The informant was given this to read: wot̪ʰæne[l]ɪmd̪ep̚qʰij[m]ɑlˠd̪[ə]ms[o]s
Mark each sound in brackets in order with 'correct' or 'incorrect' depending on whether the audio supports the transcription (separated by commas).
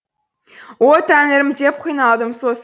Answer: incorrect, incorrect, correct, correct